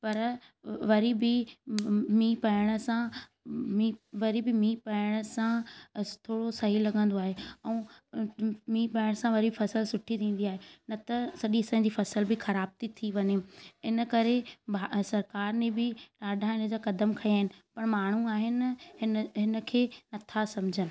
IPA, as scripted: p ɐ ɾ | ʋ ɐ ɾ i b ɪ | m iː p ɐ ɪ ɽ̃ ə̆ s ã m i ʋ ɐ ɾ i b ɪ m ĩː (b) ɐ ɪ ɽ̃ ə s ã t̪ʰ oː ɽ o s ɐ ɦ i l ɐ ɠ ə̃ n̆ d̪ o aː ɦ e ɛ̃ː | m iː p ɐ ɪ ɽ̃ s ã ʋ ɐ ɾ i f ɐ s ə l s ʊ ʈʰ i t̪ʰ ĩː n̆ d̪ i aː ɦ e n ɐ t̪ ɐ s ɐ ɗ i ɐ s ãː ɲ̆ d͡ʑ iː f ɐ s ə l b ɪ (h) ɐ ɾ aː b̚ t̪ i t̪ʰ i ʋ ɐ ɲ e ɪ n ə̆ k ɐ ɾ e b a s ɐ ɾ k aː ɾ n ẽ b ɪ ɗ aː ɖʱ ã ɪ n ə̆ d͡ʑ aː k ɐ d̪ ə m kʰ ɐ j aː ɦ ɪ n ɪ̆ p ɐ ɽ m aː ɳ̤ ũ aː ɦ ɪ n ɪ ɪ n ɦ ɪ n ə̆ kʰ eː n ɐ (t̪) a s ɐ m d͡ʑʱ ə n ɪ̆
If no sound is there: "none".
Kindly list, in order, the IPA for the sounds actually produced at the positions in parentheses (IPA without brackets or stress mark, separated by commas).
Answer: p, x, t̪ʰ